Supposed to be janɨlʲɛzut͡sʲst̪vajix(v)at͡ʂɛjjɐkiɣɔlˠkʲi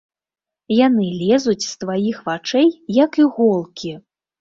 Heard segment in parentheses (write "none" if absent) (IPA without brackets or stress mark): v